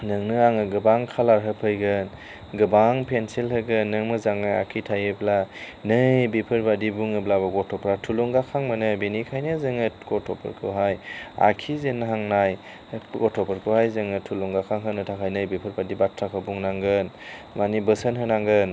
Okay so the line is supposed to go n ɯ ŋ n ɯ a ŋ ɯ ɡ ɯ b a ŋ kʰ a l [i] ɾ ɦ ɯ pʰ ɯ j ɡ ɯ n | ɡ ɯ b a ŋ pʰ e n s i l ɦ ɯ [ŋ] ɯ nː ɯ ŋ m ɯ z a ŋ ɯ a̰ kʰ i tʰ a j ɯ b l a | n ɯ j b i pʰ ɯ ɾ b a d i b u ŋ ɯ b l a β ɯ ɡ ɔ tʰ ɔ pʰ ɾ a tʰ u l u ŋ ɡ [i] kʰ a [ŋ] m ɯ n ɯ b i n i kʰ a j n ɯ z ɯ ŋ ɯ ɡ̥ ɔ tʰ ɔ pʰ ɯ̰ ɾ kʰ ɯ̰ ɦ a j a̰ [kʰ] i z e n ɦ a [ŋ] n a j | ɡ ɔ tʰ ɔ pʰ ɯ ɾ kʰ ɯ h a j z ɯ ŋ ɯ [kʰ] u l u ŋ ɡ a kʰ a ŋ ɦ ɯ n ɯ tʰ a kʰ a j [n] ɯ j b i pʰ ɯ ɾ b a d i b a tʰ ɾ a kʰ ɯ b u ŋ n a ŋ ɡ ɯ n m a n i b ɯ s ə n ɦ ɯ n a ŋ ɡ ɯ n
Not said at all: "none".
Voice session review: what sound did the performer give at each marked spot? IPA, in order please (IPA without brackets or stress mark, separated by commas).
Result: a, ɡ, a, ŋ, kʰ, ŋ, tʰ, n